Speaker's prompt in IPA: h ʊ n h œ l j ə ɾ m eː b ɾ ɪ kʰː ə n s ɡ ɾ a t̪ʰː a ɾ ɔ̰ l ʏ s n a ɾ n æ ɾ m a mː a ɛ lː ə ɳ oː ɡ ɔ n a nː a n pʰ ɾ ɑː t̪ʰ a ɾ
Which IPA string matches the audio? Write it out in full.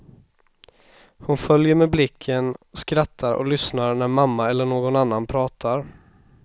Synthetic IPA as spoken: h ʊ n f œ l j ə ɾ m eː b l ɪ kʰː ə n s k ɾ a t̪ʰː a ɾ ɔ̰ l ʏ s n a ɾ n æ ɾ m a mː a ɛ lː ə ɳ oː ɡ ɔ n a nː a n pʰ ɾ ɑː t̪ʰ a ɾ